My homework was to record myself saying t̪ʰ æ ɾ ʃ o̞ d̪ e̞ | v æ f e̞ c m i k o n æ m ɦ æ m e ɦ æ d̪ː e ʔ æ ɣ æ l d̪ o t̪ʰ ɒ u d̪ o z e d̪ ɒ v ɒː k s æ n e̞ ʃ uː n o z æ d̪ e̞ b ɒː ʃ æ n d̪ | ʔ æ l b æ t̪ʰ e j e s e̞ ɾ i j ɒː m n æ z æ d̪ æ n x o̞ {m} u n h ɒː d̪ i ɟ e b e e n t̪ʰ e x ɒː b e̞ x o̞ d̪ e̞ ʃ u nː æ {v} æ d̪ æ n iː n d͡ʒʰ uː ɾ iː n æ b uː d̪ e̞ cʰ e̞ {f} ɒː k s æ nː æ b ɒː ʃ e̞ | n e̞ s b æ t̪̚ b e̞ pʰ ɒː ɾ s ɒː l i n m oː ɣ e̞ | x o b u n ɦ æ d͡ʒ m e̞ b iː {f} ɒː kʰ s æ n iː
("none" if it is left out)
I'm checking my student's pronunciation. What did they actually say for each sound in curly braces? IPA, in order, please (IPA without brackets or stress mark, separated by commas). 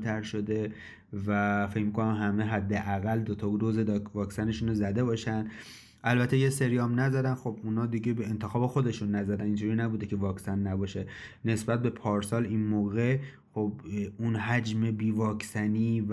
b, z, v, v